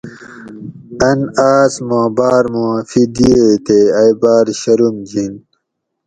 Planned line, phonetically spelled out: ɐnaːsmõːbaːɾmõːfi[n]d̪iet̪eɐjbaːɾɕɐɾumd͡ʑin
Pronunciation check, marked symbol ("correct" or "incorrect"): incorrect